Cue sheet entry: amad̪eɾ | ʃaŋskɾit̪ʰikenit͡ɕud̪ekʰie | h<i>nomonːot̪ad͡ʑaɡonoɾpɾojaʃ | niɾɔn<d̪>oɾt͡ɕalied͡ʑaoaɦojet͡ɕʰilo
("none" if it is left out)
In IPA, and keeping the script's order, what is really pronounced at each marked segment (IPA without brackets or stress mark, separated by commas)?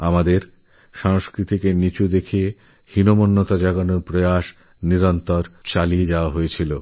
i, t̪